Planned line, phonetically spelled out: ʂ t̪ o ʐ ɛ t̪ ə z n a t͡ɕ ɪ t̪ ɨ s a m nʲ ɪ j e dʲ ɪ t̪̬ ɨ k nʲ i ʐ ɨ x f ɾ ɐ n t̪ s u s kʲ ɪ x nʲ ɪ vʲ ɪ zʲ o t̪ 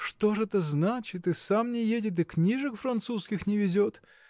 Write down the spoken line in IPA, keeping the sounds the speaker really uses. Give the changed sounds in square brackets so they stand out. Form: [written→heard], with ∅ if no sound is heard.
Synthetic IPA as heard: ʂ t̪ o ʐ ɛ t̪ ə z n a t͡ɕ ɪ t̪ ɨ s a m nʲ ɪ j e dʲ ɪ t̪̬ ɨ k nʲ i ʐ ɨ [x→k] f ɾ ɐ n t̪ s u s kʲ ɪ x nʲ ɪ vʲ ɪ zʲ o t̪